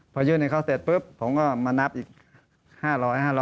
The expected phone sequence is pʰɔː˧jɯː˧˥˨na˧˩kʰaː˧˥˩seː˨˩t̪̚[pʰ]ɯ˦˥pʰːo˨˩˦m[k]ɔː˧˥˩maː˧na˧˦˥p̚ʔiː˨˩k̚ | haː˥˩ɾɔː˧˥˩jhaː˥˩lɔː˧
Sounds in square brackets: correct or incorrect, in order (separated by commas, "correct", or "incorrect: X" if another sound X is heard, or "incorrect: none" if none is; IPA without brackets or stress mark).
incorrect: p, correct